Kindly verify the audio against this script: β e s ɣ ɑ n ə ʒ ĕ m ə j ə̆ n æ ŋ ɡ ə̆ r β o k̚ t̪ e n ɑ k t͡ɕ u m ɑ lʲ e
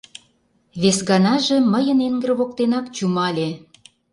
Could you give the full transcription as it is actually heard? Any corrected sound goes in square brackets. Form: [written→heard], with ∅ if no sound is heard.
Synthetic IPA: β e s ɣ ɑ n [ə→ɑ] ʒ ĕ m ə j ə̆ n [æ→e] ŋ ɡ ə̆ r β o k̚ t̪ e n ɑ k t͡ɕ u m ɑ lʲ e